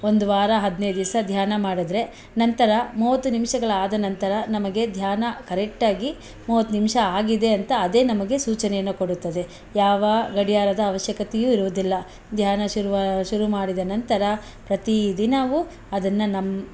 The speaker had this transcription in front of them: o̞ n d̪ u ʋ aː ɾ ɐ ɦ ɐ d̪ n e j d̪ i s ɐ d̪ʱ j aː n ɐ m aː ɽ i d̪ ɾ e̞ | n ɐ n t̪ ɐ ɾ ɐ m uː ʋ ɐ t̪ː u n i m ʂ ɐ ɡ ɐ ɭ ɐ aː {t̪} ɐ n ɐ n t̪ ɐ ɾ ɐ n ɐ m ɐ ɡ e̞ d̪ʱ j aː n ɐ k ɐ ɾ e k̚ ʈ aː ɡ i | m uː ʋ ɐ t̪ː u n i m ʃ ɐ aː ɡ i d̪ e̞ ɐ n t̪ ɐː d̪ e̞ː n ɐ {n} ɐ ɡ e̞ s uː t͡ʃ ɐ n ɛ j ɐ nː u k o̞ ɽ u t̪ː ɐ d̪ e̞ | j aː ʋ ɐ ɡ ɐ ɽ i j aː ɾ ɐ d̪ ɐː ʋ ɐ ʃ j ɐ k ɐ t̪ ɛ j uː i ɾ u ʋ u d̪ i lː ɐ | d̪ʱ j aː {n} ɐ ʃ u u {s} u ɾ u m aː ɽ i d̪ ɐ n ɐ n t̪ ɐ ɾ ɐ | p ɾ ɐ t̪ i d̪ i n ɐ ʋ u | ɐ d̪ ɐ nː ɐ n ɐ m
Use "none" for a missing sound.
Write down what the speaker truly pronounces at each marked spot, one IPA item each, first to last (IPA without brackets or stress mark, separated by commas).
d̪, m, n, ʃ